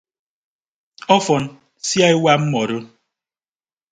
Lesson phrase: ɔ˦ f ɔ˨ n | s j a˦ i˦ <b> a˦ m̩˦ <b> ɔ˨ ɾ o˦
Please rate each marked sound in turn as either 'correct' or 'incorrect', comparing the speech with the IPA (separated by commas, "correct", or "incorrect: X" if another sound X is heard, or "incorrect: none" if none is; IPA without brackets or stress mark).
incorrect: w, incorrect: m